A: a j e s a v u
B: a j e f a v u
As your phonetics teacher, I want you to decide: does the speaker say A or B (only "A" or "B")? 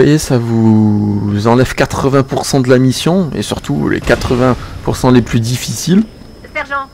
A